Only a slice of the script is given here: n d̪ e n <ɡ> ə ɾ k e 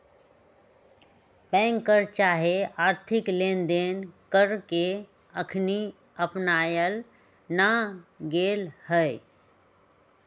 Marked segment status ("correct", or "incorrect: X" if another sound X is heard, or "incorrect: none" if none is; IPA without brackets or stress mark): incorrect: k